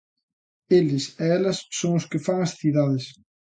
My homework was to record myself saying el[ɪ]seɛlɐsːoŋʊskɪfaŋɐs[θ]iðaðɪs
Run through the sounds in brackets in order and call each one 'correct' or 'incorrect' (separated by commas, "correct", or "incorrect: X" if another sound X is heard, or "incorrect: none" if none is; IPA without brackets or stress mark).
correct, correct